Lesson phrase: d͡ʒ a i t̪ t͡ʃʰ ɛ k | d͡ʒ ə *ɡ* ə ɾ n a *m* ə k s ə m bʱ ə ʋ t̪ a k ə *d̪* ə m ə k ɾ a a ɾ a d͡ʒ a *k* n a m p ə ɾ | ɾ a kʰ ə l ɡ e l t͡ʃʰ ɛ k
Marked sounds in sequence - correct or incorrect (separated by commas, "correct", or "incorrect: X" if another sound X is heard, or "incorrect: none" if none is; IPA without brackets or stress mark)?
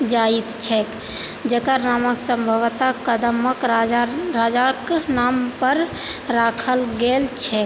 incorrect: k, correct, correct, correct